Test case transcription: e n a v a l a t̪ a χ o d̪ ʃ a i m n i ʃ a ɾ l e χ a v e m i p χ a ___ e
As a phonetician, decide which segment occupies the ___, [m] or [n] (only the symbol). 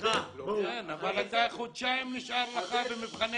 n